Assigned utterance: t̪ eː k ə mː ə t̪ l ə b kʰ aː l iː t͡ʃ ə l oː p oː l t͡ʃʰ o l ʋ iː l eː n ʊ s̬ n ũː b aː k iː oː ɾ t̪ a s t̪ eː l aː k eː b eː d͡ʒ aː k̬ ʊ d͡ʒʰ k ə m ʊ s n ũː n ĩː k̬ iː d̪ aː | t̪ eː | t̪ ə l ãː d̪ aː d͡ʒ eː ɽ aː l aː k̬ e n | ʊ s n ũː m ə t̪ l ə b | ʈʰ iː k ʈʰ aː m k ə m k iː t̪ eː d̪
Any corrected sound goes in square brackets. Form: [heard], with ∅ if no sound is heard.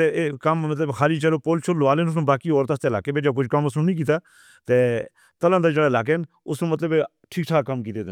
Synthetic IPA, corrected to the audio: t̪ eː k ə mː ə t̪ l ə b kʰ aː l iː t͡ʃ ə l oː p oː l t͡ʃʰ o l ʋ [aː] l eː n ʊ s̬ n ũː b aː k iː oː ɾ t̪ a s t̪ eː l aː k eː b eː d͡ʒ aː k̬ ʊ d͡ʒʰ k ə m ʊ s n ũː n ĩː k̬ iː [t̪] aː | t̪ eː | t̪ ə l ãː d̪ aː d͡ʒ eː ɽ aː l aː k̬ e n | ʊ s n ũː m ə t̪ l ə b | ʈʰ iː k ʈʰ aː [∅] k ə m k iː t̪ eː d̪